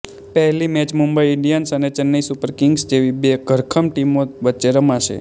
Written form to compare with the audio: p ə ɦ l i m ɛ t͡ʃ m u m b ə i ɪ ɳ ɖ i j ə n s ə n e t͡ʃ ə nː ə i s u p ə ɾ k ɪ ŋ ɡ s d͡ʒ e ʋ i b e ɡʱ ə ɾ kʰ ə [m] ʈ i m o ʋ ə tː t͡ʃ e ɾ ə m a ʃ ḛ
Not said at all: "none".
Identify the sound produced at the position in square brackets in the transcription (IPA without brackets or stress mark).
m